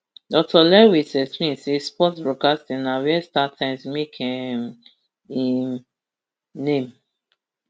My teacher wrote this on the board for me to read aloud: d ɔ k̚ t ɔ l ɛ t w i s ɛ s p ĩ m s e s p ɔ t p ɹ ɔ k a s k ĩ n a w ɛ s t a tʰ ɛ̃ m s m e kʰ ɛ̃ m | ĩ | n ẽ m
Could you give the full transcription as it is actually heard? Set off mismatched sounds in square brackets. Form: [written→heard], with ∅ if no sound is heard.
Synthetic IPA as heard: d ɔ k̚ t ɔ l ɛ [t→∅] w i s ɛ s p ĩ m s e s p ɔ t [p→b] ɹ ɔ k a s [k→t] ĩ n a w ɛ s t a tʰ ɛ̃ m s m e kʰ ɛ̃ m | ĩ | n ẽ m